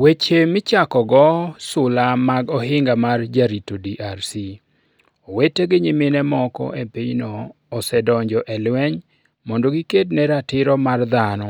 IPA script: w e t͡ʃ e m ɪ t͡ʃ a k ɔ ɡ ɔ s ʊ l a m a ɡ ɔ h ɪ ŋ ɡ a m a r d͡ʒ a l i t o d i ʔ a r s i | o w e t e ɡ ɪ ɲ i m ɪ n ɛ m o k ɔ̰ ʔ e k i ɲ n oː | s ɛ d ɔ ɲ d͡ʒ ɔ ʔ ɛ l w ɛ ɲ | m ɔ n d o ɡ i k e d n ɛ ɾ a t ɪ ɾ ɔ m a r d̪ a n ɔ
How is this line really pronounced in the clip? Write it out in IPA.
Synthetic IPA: w e t͡ʃ e m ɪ t͡ʃ a k ɔ ɡ ɔ s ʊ l a m a ɡ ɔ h ɪ ŋ ɡ a m a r d͡ʒ a ɾ i t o d i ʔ a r s i | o w e t e ɡ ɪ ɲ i m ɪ n ɛ m ɔ k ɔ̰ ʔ e p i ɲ n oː | s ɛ d ɔ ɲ d͡ʒ ɔ ʔ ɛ l w ɛ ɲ | m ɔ n d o ɡ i k e d n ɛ ɾ a t ɪ ɾ ɔ m a r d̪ a n ɔ